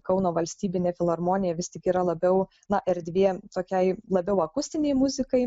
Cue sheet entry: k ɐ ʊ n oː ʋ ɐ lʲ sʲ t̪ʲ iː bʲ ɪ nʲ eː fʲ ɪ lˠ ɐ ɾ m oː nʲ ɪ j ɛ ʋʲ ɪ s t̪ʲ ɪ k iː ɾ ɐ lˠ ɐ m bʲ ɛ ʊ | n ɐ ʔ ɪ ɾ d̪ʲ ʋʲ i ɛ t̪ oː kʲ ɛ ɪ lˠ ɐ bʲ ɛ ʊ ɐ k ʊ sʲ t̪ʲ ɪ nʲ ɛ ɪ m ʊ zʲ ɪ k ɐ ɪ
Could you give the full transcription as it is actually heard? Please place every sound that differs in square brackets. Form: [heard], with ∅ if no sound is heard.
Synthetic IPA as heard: k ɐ ʊ n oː ʋ ɐ lʲ sʲ t̪ʲ iː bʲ ɪ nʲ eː fʲ ɪ lˠ ɐ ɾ m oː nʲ ɪ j ɛ ʋʲ ɪ s t̪ʲ ɪ k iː ɾ ɐ lˠ ɐ [∅] bʲ ɛ ʊ | n ɐ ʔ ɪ ɾ d̪ʲ ʋʲ i ɛ t̪ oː kʲ ɛ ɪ lˠ ɐ bʲ ɛ ʊ ɐ k ʊ sʲ t̪ʲ ɪ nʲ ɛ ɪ m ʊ zʲ ɪ k ɐ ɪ